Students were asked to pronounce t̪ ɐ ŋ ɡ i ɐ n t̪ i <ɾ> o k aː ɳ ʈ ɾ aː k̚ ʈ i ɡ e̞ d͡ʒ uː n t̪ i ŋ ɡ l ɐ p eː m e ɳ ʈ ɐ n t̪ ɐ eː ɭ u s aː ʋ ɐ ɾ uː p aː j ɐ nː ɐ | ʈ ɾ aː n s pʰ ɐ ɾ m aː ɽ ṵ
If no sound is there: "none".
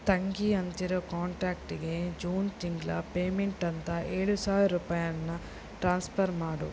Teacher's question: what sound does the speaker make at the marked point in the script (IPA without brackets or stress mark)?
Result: ɾ